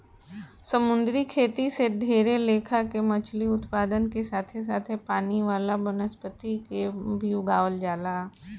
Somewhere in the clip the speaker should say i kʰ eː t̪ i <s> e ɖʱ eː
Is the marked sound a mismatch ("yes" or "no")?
no